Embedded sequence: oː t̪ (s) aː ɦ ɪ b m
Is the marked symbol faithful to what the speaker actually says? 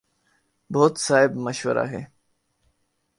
yes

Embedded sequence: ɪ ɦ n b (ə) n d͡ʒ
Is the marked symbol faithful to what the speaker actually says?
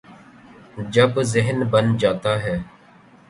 yes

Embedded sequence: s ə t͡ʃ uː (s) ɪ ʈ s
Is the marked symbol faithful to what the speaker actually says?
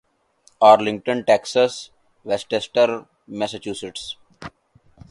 yes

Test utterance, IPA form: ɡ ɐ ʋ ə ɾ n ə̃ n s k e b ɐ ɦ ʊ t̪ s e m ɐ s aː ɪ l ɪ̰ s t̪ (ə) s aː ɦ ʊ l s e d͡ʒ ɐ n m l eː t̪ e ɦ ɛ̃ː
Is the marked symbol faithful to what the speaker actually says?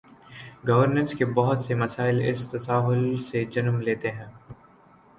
no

